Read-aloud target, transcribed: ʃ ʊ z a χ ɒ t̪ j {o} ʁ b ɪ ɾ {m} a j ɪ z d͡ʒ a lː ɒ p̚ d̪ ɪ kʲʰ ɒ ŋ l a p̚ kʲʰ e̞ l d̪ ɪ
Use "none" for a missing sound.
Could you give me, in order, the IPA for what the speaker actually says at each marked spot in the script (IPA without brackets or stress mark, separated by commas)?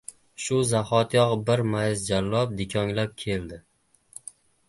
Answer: ɒ, m